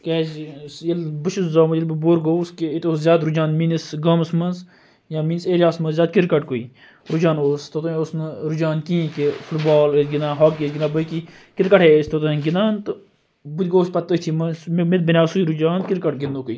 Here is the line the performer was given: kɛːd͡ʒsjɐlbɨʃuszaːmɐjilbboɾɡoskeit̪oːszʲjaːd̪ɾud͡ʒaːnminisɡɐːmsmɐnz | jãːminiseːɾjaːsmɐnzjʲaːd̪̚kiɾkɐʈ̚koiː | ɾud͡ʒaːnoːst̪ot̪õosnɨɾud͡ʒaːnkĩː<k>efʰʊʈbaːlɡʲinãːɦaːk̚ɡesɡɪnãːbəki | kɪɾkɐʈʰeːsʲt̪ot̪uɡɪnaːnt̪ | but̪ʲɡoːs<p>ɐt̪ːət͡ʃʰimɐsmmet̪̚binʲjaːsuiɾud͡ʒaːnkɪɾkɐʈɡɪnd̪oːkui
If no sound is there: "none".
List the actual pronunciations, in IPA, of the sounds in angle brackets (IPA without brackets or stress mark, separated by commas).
k, p